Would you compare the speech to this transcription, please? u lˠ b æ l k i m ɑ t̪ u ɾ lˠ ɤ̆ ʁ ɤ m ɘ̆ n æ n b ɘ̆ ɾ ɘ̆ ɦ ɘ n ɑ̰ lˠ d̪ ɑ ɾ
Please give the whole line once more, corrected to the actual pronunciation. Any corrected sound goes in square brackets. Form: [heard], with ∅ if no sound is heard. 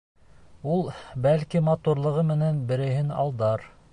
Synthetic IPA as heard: u lˠ b æ l k i m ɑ t̪ u ɾ lˠ ɤ̆ ʁ ɤ m ɘ̆ n æ n b ɘ̆ ɾ ɘ̆ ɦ ɘ n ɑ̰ lˠ d̪ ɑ ɾ